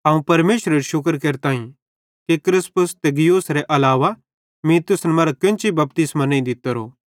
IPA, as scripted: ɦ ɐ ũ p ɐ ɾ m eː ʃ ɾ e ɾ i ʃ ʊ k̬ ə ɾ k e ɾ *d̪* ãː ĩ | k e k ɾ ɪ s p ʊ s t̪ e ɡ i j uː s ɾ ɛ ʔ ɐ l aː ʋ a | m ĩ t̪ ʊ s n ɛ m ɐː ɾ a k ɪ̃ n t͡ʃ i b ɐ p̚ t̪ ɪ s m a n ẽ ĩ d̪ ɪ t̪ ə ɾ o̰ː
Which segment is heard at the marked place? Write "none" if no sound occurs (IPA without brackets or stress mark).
t̪